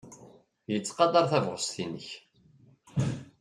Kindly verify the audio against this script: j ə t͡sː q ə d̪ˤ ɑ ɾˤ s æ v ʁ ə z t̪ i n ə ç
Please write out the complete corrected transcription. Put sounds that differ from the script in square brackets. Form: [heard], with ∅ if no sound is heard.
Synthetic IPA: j ə t͡sː q [ɑ] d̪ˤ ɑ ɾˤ [θ] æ v ʁ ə [s] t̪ i n ə ç